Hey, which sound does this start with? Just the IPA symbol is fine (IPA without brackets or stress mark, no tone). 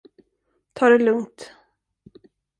t̪ʰ